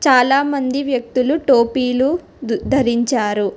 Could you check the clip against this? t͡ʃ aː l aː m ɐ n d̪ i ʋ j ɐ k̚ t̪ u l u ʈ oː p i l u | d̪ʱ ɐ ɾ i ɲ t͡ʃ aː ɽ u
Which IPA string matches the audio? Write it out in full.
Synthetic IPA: t͡ʃ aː l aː m ɐ n d̪ i ʋ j ɐ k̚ t̪ u l u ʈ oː p iː l u | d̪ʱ ɐ ɾ i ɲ t͡ʃ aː ɾ u